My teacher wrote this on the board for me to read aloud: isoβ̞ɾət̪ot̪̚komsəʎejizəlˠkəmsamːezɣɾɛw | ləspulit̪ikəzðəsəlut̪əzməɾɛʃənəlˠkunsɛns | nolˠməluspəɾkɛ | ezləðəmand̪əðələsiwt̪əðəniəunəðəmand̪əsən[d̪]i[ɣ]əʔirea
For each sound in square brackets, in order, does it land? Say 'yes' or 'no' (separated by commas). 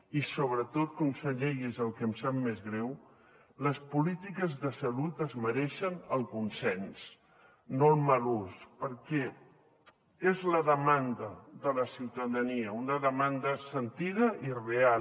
no, no